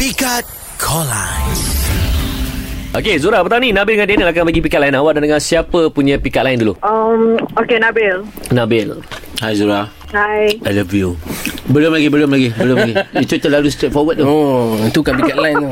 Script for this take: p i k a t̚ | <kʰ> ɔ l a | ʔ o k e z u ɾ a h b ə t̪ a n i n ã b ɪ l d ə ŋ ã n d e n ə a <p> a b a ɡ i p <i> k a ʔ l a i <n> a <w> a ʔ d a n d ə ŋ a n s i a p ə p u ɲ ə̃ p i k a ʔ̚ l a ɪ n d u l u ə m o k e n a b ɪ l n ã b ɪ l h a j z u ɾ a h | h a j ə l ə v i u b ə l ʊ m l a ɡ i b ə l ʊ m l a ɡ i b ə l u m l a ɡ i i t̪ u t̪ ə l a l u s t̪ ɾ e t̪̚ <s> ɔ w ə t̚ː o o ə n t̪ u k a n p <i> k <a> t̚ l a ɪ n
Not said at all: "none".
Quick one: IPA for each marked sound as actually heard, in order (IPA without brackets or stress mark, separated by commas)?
kʰ, k, i, n, w, f, i, a